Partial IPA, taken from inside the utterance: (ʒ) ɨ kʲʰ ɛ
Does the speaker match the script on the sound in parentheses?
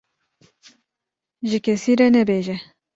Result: yes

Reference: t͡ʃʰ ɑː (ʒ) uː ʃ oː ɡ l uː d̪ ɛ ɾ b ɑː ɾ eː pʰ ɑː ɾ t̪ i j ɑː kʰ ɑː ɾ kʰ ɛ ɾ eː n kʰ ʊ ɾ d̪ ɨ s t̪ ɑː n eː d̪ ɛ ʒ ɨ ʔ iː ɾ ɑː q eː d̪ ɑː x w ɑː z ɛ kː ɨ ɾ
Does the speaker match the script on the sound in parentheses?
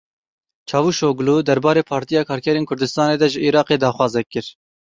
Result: no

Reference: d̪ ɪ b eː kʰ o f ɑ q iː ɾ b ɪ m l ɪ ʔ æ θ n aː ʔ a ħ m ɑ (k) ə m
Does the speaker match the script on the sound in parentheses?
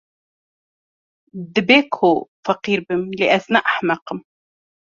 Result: no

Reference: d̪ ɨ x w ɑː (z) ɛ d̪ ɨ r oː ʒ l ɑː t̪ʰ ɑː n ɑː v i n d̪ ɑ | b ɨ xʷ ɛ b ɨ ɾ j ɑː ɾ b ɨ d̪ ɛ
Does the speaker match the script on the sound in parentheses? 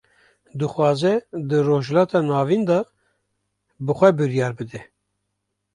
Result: yes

